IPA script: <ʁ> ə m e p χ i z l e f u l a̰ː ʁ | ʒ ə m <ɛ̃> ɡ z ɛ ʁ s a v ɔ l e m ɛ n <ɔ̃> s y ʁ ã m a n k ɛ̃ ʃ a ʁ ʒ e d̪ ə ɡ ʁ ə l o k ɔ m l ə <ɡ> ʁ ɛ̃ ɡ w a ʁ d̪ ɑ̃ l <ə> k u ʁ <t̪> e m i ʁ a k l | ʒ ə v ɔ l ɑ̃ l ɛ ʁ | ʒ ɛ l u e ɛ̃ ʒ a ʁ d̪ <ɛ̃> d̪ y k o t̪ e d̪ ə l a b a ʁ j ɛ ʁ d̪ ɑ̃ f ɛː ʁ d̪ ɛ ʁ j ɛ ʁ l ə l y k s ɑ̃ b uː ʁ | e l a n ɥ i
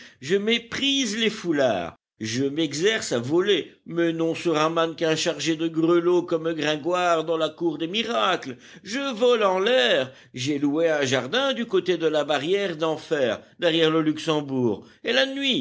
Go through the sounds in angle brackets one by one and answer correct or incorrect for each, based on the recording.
incorrect: ʒ, incorrect: ɛ, correct, correct, incorrect: a, incorrect: d̪, correct

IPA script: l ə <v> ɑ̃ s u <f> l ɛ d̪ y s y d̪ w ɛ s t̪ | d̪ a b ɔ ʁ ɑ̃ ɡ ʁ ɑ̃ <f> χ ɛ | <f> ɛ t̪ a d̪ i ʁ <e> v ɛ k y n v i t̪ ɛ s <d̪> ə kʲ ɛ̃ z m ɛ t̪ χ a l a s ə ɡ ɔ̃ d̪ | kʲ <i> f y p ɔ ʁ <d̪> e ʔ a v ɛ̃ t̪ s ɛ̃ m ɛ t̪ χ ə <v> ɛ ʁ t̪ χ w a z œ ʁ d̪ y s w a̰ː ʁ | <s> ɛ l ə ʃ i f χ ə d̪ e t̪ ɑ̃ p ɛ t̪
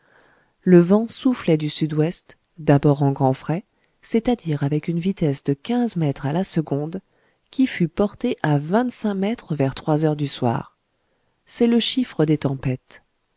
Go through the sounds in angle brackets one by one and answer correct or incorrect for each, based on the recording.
correct, correct, correct, incorrect: s, incorrect: a, correct, correct, incorrect: t̪, correct, correct

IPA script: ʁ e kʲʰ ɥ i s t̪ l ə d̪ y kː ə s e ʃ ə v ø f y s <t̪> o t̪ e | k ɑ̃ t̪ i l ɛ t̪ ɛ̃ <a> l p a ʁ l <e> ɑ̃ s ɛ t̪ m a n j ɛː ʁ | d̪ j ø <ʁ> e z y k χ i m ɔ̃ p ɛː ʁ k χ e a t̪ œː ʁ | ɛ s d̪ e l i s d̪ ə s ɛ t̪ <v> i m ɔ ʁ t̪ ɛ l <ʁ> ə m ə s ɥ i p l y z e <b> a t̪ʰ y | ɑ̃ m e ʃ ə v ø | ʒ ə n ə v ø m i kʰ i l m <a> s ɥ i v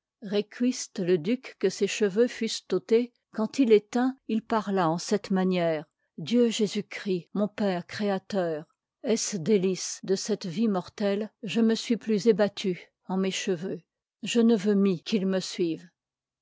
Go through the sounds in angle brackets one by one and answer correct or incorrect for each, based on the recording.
correct, incorrect: i, incorrect: a, incorrect: ʒ, correct, incorrect: ʒ, correct, incorrect: ə

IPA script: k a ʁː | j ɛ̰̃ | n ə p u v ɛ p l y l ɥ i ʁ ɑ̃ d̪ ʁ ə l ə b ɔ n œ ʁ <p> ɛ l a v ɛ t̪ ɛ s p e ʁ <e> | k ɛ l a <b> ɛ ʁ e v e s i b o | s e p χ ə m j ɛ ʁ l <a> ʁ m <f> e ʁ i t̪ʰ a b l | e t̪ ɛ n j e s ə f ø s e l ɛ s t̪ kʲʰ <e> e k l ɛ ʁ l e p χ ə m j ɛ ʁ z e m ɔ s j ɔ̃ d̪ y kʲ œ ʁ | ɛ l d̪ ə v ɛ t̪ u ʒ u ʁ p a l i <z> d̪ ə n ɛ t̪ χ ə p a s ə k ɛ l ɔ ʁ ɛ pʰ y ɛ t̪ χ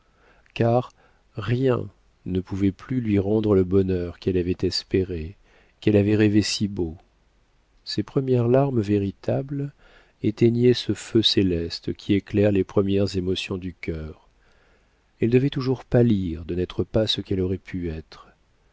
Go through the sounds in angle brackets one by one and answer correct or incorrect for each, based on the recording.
incorrect: k, correct, incorrect: v, correct, incorrect: v, incorrect: i, incorrect: ʁ

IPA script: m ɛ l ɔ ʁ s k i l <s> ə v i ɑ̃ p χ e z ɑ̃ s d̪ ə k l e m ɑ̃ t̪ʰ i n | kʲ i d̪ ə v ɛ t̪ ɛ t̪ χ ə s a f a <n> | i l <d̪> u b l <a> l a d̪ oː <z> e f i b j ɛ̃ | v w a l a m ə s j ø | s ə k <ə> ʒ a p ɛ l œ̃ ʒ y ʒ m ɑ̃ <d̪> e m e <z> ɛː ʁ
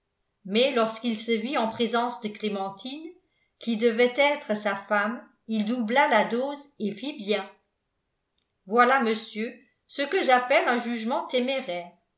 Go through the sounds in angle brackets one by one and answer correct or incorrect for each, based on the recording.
correct, incorrect: m, correct, correct, correct, correct, incorrect: t̪, incorrect: ʁ

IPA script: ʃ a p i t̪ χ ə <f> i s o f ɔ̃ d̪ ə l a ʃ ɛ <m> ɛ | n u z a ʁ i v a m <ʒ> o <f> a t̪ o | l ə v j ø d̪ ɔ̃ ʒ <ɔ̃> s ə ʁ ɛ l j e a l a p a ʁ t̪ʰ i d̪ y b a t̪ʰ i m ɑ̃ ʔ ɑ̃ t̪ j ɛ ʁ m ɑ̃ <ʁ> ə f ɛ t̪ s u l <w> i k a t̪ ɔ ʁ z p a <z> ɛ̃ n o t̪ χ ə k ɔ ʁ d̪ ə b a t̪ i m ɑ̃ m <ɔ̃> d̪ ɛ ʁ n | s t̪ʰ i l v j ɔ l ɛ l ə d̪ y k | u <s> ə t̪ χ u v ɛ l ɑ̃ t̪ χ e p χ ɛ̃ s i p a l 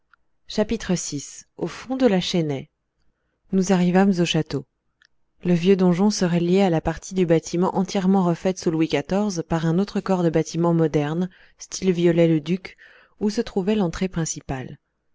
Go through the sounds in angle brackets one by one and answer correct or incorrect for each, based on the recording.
incorrect: s, incorrect: n, incorrect: z, incorrect: ʃ, correct, correct, correct, incorrect: ʁ, incorrect: ɔ, correct

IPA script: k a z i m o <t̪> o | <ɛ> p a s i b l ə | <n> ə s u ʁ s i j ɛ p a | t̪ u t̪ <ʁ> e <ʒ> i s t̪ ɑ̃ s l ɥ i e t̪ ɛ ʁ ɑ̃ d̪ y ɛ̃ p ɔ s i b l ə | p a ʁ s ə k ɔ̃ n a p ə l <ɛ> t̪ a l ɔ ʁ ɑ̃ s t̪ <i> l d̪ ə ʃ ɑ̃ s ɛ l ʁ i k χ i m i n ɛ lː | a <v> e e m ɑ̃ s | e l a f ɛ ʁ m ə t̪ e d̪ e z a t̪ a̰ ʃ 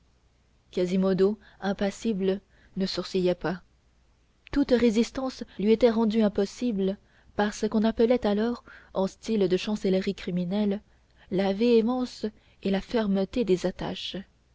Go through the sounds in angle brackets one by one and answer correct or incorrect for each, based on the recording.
incorrect: d̪, incorrect: ɛ̃, correct, correct, incorrect: z, correct, correct, correct

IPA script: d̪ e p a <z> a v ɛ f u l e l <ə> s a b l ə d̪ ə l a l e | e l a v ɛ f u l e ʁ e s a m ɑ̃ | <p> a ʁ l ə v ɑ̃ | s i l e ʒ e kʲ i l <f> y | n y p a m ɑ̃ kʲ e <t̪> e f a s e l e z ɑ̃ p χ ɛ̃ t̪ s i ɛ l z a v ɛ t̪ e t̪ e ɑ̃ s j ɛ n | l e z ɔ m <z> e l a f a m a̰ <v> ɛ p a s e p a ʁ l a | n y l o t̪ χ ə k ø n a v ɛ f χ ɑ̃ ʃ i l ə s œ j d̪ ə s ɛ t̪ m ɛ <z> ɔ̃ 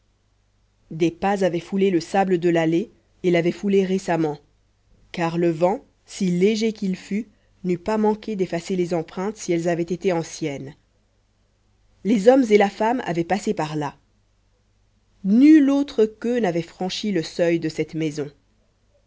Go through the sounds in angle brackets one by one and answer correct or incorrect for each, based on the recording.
correct, correct, incorrect: k, correct, incorrect: d̪, correct, correct, correct

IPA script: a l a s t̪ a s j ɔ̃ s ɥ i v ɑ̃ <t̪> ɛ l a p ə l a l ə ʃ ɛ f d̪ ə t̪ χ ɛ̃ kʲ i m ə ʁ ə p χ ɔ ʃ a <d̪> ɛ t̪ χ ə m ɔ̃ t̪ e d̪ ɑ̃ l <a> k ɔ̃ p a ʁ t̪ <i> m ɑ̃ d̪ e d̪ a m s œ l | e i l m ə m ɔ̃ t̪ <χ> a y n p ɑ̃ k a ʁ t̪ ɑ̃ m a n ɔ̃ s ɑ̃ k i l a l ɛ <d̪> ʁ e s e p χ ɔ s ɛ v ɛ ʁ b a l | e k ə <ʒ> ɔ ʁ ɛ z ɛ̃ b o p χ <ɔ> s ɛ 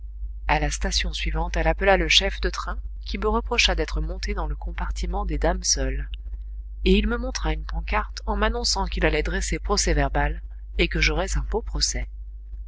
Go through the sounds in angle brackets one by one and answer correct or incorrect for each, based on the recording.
correct, correct, incorrect: ə, correct, correct, correct, correct, correct

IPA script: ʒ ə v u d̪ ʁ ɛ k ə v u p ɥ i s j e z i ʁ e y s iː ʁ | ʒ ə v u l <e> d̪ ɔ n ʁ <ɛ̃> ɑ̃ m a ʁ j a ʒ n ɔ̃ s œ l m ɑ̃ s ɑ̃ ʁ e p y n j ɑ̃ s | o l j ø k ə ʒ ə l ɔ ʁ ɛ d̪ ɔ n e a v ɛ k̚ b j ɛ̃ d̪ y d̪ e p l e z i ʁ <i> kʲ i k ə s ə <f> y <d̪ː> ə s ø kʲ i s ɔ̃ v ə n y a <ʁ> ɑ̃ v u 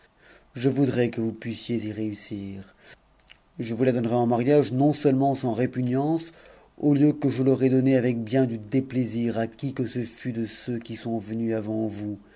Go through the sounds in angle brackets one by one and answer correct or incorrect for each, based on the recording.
incorrect: a, incorrect: ɛ, incorrect: a, correct, incorrect: d̪, incorrect: v

